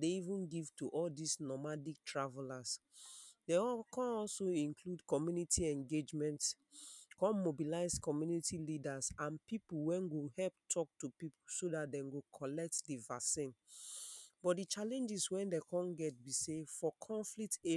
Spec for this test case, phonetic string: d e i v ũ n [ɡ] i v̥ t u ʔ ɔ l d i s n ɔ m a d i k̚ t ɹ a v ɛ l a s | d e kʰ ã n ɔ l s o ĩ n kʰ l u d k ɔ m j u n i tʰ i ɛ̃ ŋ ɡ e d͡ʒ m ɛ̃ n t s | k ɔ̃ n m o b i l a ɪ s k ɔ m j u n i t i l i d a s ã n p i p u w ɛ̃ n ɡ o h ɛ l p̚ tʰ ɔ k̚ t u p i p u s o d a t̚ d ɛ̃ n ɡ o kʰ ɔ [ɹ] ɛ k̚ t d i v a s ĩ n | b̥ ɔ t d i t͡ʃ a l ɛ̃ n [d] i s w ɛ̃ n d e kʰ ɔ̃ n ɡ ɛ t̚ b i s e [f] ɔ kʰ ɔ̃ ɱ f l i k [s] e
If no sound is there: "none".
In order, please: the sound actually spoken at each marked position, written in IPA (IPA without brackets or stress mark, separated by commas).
ɡ, l, d͡ʒ, f, t